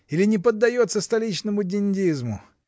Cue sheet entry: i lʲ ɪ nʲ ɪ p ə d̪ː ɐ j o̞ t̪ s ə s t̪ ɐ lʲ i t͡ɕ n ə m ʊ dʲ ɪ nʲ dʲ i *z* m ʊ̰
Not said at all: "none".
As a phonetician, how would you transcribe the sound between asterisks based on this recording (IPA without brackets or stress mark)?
z